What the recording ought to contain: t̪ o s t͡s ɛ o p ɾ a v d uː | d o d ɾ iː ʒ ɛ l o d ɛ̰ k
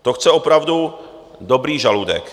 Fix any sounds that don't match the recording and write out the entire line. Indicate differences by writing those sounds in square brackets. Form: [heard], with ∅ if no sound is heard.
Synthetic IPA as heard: t̪ o [x] t͡s ɛ o p ɾ a v d [u] | d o [b] ɾ iː ʒ [a] l [u] d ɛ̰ k

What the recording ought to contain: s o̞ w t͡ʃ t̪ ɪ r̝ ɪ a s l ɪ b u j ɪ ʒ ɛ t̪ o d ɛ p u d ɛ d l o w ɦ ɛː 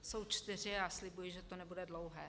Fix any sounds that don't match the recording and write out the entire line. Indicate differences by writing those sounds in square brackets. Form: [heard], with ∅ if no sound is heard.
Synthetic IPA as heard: s o̞ w t͡ʃ t̪ ɪ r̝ ɪ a s l ɪ b u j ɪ ʒ ɛ t̪ o [n] ɛ [b] u d ɛ d l o w ɦ ɛː

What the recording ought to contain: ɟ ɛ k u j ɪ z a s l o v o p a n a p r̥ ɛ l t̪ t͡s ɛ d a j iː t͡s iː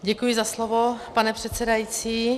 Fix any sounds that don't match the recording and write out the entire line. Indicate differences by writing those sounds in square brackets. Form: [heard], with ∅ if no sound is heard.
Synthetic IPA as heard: ɟ ɛ k u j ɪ z a s l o v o p a n [ɛ] p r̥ ɛ [∅] t̪ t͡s ɛ d a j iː t͡s iː

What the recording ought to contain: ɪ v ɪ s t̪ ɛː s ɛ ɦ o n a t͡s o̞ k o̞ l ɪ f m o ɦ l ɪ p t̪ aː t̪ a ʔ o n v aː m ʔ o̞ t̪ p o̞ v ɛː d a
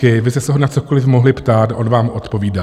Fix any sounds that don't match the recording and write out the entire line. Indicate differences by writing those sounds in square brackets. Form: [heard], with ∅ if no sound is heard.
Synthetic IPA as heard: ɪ v ɪ s t̪ [ɛ] s ɛ ɦ o n a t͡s o̞ k o̞ l ɪ f m o ɦ l ɪ p t̪ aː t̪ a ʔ o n v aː m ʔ o̞ t̪ p o̞ v [iː] d a

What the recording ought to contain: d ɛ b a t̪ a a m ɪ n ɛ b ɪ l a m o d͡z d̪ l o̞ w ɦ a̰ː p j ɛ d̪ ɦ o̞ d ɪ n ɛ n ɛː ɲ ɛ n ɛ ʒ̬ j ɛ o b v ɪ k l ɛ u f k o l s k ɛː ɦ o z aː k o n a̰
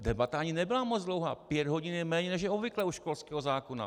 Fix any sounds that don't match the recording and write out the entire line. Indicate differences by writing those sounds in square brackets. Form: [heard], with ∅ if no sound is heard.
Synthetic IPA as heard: d ɛ b a t̪ a a [ɲ] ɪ n ɛ b ɪ l a m o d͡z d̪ l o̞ w ɦ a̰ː p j ɛ d̪ ɦ o̞ [ɟ] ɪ n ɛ [m] ɛː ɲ ɛ n ɛ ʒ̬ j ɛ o b v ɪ k l ɛ u [ʃ] k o l s k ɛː ɦ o z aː k o n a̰

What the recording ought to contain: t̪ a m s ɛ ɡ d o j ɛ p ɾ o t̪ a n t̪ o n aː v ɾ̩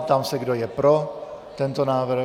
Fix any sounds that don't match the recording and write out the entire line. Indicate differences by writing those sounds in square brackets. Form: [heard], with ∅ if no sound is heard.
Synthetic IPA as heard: t̪ a m s ɛ ɡ d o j ɛ p ɾ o t̪ [ɛ] n t̪ o n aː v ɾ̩

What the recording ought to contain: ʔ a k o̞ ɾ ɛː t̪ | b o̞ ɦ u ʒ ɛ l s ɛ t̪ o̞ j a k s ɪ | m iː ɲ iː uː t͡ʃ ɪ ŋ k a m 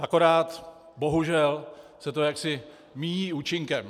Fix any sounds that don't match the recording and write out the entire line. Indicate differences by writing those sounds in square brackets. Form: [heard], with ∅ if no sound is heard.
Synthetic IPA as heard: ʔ a k o̞ ɾ [aː] t̪ | b o̞ ɦ u ʒ ɛ l s ɛ t̪ o̞ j a k s ɪ | m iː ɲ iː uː t͡ʃ ɪ ŋ k [ɛ] m

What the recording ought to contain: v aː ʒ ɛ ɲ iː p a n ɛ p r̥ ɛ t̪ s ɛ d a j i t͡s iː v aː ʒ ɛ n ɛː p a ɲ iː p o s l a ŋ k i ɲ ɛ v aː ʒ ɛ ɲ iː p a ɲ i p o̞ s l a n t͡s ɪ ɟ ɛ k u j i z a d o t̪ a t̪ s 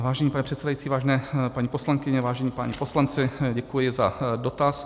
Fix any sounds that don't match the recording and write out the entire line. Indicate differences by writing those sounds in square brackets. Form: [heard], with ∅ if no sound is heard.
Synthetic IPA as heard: v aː ʒ ɛ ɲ iː p a n ɛ p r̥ ɛ t̪ s ɛ d a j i t͡s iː v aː ʒ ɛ n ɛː p a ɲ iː p o s l a ŋ k [ɪ] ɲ ɛ v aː ʒ ɛ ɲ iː p a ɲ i p o̞ s l a n t͡s ɪ ɟ ɛ k u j [ɪ] z a d o t̪ a [∅] s

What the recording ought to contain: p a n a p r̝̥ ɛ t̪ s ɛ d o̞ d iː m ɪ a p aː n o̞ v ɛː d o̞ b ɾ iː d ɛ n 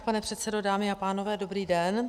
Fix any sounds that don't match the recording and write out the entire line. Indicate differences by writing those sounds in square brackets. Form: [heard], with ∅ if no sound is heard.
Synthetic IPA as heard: p a n [ɛ] p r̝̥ ɛ t̪ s ɛ d o̞ d [aː] m ɪ a p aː n o̞ v ɛː d o̞ b ɾ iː d ɛ n

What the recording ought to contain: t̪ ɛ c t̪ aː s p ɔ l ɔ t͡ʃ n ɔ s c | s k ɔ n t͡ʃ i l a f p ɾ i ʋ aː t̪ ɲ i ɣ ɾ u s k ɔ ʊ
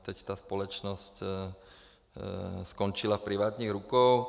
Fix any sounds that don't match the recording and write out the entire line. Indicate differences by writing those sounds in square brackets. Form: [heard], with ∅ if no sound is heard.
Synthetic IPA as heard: t̪ ɛ c t̪ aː s p ɔ l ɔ t͡ʃ n ɔ s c | s k ɔ n t͡ʃ i l a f p ɾ i ʋ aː t̪ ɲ i ɣ ɾ u [∅] k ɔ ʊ

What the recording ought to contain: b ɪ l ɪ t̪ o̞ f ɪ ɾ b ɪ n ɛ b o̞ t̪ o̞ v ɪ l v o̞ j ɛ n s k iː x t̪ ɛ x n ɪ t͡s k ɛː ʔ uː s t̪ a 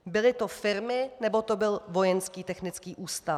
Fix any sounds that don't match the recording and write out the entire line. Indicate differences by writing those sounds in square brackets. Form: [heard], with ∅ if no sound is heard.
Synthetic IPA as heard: b ɪ l ɪ t̪ o̞ f ɪ ɾ [m] ɪ n ɛ b o̞ t̪ o̞ [b] ɪ l v o̞ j ɛ n s k iː [∅] t̪ ɛ x n ɪ t͡s k [iː] ʔ uː s t̪ a

